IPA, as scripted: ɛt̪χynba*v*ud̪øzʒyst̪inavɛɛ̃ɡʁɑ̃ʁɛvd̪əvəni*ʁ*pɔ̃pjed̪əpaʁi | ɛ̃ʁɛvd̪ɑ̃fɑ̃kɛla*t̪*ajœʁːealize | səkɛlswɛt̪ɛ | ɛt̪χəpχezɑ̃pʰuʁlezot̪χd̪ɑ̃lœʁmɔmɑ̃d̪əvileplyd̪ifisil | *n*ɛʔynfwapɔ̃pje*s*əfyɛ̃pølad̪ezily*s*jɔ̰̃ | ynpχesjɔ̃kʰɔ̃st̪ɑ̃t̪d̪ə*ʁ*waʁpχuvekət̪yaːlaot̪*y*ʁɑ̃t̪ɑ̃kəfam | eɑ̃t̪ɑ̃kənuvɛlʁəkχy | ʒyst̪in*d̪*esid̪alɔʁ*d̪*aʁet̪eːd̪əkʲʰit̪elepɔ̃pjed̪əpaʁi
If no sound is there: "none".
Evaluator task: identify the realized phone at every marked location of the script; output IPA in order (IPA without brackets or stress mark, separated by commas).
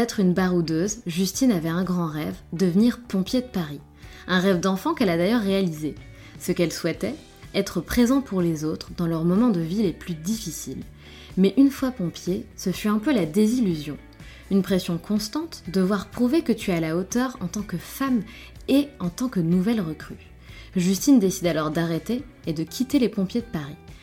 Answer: ʁ, ʁ, d̪, m, s, z, v, œ, d̪, d̪